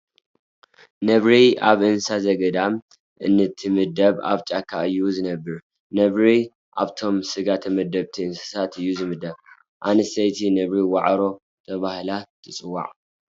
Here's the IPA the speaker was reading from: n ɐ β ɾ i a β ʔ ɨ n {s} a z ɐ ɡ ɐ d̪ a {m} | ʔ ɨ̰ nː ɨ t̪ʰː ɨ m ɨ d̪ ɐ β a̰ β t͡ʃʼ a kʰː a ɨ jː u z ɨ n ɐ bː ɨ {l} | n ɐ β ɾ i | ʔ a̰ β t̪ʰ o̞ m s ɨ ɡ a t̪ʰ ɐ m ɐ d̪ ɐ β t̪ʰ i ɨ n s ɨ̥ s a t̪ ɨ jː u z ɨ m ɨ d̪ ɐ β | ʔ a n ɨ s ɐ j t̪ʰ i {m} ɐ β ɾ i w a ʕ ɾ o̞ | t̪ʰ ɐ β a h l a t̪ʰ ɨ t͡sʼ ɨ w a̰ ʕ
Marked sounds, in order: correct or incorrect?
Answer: correct, correct, incorrect, incorrect

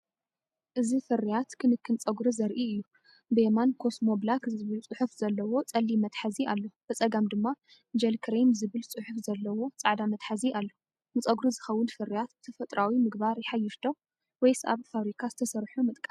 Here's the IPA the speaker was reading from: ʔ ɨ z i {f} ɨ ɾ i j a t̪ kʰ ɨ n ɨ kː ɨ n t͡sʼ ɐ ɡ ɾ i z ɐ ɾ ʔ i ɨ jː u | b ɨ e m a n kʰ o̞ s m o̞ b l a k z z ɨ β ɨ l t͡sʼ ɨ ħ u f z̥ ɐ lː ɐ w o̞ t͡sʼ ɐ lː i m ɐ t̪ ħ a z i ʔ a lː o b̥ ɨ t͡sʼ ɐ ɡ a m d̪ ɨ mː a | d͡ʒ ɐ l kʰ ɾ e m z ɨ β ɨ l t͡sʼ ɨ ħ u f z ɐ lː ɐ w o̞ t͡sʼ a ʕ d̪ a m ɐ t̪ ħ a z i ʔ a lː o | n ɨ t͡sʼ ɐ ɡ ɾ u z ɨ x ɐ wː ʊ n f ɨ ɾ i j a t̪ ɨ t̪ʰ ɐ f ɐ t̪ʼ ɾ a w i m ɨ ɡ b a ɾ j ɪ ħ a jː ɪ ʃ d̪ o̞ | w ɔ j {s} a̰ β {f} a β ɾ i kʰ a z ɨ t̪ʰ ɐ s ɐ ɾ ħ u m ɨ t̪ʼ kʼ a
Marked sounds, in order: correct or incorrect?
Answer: correct, correct, correct

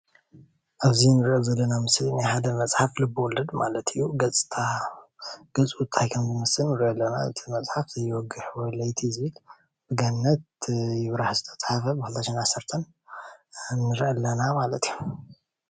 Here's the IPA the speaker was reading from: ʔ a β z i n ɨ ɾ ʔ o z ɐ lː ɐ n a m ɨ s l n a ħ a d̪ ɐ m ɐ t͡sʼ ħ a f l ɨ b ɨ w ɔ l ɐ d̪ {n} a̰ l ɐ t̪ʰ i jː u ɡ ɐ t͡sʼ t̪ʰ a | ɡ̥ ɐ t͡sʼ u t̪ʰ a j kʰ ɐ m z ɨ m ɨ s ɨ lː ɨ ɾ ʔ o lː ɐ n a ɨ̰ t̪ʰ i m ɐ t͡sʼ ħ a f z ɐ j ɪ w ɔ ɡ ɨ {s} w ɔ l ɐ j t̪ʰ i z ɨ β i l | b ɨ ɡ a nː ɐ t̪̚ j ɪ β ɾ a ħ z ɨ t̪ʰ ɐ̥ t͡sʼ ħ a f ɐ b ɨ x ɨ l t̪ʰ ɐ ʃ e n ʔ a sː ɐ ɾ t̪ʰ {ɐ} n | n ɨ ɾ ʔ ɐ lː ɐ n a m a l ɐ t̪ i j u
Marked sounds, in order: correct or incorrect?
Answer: incorrect, incorrect, correct

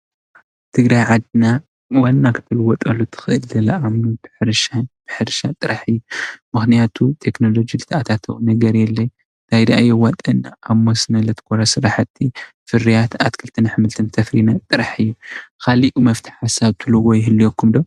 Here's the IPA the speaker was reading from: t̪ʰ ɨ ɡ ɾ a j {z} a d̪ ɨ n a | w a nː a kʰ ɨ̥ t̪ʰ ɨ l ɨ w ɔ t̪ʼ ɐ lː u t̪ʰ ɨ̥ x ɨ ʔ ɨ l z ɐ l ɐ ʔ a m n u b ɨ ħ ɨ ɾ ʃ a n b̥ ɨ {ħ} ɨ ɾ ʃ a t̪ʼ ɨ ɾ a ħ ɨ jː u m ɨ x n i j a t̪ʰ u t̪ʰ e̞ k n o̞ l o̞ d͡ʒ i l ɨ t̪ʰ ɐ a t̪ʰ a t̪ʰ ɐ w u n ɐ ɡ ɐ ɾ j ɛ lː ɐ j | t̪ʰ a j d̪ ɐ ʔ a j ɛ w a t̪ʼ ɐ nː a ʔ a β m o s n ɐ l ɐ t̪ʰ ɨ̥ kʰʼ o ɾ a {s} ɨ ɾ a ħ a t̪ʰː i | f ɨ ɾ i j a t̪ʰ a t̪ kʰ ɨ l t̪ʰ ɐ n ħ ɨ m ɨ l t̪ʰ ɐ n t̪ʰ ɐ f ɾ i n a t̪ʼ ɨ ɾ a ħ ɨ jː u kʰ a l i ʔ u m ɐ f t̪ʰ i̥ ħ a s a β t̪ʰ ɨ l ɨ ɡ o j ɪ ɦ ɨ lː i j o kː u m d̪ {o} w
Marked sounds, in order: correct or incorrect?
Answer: incorrect, correct, correct, correct

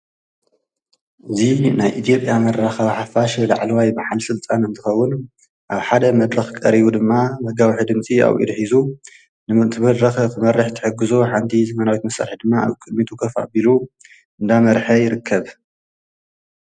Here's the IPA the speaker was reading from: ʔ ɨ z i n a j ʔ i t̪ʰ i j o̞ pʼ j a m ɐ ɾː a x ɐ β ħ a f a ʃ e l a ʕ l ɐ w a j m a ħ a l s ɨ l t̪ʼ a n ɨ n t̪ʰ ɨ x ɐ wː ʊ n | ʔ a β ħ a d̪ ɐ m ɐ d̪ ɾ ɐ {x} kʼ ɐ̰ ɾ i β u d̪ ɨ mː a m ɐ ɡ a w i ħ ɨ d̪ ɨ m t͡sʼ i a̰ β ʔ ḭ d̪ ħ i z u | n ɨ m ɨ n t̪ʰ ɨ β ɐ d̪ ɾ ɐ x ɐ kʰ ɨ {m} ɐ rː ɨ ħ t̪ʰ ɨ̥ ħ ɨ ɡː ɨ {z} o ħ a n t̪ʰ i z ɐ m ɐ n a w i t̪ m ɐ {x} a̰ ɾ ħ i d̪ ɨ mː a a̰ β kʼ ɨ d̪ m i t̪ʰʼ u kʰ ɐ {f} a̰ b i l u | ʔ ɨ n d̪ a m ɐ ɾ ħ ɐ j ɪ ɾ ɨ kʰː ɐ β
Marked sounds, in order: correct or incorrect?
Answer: correct, correct, correct, incorrect, correct

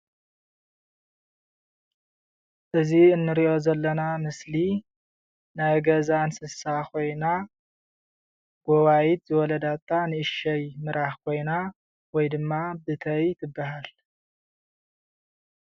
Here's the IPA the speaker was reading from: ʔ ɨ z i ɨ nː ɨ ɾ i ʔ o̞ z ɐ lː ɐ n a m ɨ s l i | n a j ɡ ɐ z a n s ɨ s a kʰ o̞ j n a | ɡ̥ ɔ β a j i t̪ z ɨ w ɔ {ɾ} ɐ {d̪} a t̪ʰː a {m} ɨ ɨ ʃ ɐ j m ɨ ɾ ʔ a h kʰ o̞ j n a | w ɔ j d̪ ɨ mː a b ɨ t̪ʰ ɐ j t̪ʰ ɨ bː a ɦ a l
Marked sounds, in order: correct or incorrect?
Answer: incorrect, correct, incorrect

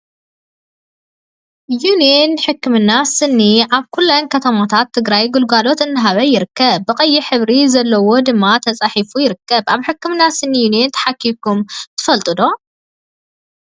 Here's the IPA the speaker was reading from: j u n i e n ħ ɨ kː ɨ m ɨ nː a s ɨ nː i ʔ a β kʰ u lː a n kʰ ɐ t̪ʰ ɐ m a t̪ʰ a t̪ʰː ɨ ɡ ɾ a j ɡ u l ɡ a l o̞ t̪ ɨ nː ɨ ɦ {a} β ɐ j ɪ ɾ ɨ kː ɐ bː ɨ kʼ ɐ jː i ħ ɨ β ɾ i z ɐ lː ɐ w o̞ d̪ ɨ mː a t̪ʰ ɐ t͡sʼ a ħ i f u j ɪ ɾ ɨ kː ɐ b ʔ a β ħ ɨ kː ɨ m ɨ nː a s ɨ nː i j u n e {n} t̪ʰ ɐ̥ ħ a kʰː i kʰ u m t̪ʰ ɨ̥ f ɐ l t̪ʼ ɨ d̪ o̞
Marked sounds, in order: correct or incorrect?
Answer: correct, correct

